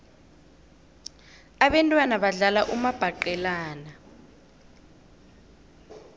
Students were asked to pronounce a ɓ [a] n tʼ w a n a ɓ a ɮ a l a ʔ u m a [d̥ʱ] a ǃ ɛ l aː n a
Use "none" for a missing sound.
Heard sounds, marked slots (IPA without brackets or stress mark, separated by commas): ɛ, b̥ʱ